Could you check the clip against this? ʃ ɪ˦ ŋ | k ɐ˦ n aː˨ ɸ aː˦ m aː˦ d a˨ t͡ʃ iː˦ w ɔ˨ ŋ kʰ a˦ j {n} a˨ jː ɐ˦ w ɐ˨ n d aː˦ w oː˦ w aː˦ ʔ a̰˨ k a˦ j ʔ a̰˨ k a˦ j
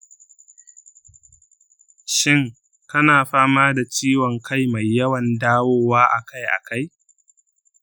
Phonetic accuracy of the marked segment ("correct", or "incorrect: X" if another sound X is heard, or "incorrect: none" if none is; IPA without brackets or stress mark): incorrect: m